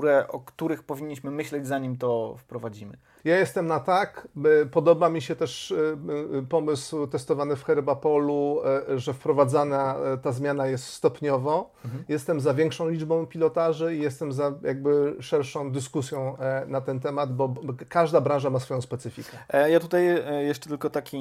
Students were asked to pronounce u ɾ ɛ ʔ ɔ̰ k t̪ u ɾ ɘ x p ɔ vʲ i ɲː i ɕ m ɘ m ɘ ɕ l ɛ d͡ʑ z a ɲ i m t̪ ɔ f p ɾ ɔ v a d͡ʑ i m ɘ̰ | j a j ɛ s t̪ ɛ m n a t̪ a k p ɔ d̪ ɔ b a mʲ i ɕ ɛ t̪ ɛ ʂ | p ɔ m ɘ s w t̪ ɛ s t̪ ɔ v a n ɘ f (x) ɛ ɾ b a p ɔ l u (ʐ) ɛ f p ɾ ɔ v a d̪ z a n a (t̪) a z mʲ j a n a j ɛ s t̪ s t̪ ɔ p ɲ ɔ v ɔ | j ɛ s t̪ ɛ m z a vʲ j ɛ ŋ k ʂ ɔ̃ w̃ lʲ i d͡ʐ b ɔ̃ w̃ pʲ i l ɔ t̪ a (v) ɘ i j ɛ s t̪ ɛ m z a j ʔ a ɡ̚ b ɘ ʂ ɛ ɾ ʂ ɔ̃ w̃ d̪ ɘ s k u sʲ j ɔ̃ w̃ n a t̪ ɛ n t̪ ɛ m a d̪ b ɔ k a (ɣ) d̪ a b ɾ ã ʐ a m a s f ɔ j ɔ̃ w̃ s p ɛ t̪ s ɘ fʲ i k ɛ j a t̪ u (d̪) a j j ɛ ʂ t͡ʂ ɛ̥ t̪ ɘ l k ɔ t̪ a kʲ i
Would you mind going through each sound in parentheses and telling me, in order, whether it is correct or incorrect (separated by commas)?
correct, correct, correct, incorrect, incorrect, incorrect